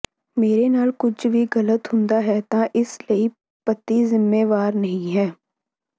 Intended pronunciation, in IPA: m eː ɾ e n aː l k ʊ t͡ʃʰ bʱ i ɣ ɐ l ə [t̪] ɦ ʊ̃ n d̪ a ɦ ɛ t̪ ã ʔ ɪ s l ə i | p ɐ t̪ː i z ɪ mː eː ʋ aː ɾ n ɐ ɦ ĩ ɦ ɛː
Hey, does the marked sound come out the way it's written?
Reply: yes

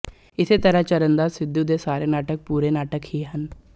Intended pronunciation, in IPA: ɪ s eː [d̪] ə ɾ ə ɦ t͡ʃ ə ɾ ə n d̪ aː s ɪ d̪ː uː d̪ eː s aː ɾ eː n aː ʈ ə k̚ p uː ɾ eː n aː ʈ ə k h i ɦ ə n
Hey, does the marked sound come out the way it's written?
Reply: no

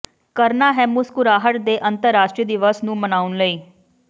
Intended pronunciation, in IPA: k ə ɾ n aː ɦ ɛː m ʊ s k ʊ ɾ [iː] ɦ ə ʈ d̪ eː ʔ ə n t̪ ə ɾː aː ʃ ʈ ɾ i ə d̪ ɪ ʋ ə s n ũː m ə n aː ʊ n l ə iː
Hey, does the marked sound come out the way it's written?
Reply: no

